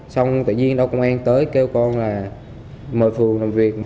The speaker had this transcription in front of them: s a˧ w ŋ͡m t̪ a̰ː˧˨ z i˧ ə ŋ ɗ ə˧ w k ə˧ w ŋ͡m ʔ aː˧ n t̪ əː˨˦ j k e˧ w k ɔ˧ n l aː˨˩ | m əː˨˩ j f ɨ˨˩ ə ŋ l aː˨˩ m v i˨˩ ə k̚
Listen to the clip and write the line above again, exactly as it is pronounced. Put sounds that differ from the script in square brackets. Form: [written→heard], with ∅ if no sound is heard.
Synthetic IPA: s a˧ w ŋ͡m t̪ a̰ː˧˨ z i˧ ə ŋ ɗ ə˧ w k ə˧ w ŋ͡m ʔ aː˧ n t̪ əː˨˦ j k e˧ w k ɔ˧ n l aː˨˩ | m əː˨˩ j f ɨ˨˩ ə ŋ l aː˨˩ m v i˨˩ ə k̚